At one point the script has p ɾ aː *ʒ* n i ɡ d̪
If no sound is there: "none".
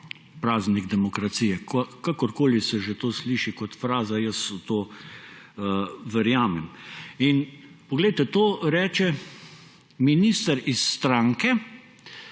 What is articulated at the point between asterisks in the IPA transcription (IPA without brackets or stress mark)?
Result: z